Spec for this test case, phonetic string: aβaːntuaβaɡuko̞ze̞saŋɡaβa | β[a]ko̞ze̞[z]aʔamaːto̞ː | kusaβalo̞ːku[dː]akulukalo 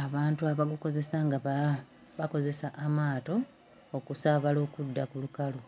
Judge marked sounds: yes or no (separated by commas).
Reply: yes, no, yes